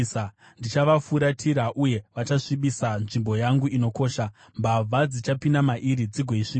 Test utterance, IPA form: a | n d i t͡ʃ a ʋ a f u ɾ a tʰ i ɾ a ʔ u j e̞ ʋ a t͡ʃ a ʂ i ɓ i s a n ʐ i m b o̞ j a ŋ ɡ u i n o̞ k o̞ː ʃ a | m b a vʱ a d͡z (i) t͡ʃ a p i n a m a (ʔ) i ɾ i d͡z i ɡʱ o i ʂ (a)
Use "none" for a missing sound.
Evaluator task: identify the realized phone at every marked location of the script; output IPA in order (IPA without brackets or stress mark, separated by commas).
i, ʔ, i